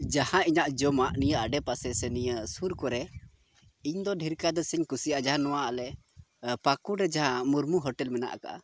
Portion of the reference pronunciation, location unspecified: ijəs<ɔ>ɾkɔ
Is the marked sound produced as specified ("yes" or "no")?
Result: no